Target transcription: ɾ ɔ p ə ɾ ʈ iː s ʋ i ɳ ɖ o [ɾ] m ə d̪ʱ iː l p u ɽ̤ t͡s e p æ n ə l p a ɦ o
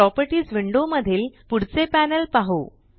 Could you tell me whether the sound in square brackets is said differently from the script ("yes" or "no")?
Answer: yes